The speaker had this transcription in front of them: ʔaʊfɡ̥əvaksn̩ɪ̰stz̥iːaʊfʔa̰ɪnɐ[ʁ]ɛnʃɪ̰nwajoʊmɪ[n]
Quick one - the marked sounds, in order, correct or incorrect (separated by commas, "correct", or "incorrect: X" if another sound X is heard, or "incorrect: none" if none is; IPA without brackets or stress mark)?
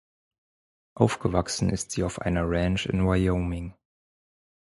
correct, incorrect: ŋ